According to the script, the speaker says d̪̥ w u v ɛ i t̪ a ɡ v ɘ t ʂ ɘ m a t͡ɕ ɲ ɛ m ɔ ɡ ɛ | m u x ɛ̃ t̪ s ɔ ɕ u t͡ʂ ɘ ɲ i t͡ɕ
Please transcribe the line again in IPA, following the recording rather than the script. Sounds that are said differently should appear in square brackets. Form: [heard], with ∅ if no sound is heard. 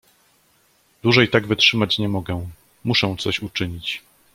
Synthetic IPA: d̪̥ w u [ʐ] ɛ [j] t̪ a ɡ v ɘ t ʂ ɘ m a t͡ɕ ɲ ɛ m ɔ ɡ ɛ | m u [ʂ] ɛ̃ t̪ s ɔ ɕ u t͡ʂ ɘ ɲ i t͡ɕ